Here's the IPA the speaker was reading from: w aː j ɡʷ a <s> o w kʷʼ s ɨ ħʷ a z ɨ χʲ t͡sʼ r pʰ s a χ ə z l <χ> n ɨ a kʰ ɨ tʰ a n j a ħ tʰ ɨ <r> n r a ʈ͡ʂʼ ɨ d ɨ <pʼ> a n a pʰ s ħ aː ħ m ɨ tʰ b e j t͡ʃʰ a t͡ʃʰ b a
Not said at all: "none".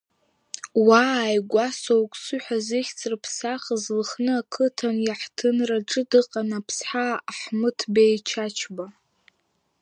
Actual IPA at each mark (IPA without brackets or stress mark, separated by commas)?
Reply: s, χ, none, qʼ